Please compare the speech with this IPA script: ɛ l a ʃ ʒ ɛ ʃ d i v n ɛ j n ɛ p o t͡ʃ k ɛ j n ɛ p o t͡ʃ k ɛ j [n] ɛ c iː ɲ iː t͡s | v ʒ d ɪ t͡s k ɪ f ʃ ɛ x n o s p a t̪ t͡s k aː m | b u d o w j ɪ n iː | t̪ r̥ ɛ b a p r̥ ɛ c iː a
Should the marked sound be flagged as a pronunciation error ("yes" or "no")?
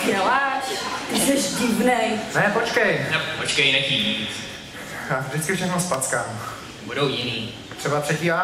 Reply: no